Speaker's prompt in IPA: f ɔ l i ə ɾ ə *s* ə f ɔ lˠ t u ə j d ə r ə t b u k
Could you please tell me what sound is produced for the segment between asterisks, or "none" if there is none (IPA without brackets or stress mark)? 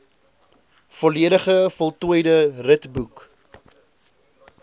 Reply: χ